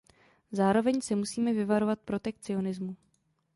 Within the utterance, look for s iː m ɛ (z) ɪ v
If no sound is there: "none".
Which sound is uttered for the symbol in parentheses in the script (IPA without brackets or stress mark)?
v